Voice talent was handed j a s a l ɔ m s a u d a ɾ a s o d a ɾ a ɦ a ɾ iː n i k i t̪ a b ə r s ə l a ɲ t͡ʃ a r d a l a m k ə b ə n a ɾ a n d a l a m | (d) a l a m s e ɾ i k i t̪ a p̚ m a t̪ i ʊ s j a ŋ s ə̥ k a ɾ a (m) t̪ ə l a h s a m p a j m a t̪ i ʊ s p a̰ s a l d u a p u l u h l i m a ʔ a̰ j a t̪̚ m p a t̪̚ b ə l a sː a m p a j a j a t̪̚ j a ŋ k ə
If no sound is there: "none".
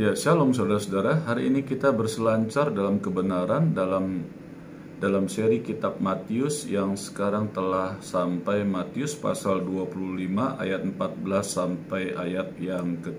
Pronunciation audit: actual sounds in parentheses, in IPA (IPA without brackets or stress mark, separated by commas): d, ŋ